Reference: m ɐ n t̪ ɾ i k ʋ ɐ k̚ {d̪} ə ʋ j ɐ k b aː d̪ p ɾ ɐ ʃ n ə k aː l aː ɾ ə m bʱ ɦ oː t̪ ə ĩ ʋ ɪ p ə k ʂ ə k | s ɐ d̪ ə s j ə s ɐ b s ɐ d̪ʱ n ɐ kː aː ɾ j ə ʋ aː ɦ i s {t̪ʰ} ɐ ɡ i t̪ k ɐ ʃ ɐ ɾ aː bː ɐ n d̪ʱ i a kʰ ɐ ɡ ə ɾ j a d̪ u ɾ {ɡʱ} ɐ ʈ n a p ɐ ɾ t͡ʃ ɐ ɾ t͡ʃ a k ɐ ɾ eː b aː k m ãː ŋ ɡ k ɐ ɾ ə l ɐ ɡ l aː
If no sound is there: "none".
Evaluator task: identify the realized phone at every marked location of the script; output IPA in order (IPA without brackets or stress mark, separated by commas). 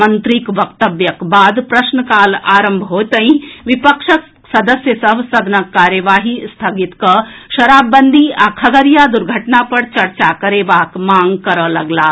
t̪, t̪ʰ, ɡʱ